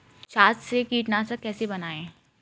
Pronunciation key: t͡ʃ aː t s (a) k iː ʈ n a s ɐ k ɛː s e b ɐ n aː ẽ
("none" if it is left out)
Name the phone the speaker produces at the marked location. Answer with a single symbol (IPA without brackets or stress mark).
e